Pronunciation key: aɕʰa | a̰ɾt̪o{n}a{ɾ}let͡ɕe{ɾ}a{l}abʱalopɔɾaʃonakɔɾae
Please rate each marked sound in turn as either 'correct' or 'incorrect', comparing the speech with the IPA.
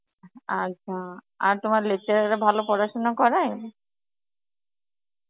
incorrect: m, correct, correct, incorrect: ɾ

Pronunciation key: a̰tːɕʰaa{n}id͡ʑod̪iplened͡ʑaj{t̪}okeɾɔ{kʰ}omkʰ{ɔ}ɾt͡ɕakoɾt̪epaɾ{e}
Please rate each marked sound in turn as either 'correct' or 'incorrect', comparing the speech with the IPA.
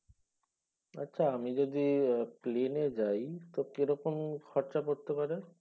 incorrect: m, correct, incorrect: k, correct, correct

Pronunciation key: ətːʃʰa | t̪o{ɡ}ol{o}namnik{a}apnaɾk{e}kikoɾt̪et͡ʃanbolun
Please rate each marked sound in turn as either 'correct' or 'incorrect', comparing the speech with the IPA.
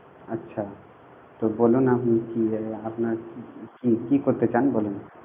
incorrect: b, incorrect: u, incorrect: i, incorrect: i

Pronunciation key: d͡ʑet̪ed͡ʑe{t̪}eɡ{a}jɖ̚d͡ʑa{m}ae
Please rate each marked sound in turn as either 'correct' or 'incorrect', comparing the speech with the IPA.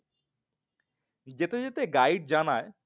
correct, correct, incorrect: n

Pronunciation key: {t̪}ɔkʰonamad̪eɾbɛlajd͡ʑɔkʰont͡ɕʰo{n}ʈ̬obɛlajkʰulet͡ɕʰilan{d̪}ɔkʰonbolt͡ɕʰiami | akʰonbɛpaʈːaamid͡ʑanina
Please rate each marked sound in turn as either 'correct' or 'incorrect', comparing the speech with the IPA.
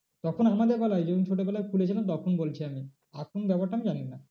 correct, incorrect: none, incorrect: t̪

